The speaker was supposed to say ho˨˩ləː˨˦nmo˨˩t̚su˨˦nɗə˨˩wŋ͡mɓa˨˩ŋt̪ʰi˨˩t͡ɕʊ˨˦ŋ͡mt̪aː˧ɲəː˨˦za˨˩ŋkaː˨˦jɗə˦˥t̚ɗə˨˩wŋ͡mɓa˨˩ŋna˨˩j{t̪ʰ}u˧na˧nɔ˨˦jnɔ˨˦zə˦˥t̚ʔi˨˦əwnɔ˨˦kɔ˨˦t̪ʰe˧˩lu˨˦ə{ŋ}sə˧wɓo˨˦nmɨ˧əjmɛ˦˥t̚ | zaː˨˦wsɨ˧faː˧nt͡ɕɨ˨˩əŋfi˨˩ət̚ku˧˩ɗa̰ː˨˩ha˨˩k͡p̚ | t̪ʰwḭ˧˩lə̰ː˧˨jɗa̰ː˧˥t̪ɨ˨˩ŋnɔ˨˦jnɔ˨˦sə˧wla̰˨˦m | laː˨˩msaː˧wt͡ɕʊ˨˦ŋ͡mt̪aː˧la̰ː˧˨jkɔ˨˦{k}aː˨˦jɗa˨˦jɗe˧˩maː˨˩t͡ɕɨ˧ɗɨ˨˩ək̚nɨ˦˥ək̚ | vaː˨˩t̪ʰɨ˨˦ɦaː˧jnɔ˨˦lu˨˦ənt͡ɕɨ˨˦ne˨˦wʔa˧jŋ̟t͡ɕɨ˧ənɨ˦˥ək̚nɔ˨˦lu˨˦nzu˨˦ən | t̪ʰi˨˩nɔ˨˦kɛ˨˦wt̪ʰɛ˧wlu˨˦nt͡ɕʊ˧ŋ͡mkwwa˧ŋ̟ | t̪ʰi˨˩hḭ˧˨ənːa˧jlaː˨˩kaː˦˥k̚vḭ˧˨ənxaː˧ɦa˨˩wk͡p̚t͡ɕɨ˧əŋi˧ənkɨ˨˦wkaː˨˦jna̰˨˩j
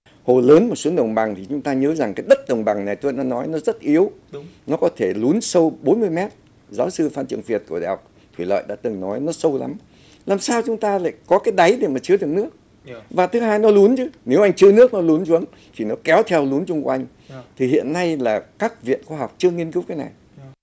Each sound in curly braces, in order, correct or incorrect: incorrect: t̪, incorrect: n, correct

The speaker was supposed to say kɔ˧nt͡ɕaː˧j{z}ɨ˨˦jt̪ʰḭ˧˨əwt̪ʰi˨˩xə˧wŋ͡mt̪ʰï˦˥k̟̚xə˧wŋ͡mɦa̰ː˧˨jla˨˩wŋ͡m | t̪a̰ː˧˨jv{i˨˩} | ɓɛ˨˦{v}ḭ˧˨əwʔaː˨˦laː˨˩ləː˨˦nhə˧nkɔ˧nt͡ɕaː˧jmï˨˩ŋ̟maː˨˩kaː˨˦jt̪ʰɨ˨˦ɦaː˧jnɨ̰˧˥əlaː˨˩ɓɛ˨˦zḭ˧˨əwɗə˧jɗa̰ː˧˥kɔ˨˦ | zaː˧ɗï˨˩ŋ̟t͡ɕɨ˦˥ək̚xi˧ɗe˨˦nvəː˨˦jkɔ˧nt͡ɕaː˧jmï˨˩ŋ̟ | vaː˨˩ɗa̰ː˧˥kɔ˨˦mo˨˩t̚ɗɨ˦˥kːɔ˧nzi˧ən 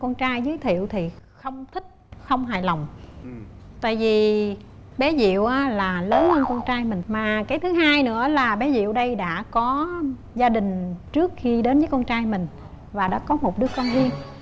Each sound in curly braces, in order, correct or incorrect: correct, correct, incorrect: z

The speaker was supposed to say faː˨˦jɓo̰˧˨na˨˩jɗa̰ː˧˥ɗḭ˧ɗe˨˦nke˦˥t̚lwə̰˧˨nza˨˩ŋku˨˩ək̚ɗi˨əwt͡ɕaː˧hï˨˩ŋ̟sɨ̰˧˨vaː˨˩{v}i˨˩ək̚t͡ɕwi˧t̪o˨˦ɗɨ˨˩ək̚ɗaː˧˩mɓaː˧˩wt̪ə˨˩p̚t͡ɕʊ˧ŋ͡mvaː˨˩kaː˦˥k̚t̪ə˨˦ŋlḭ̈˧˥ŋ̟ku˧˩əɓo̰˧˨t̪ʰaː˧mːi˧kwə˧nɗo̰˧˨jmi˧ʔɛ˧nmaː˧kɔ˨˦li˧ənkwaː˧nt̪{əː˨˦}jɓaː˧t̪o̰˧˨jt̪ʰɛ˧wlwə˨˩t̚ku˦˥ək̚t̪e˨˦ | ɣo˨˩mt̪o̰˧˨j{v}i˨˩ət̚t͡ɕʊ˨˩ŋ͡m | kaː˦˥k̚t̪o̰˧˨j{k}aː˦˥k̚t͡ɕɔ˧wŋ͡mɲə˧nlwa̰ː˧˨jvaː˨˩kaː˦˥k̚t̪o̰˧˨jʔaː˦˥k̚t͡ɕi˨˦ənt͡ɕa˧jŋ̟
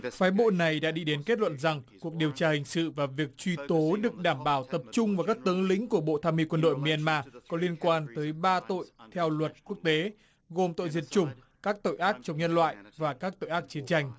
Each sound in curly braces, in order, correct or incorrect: correct, correct, incorrect: z, incorrect: ʔ

